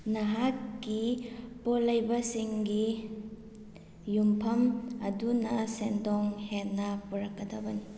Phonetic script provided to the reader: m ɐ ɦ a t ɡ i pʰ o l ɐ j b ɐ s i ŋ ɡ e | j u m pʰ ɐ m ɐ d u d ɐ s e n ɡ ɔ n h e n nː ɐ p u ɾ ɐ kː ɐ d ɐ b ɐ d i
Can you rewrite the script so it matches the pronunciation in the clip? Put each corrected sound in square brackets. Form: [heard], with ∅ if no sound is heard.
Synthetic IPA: [n] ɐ ɦ a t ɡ i [p] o l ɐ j b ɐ s i ŋ ɡ [i] | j u m pʰ ɐ m ɐ d u [n] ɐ s e n [d] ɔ [ŋ] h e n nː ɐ p u ɾ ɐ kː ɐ d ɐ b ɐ [n] i